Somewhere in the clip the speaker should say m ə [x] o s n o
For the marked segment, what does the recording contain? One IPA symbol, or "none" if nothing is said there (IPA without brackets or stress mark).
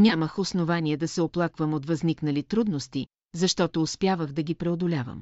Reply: x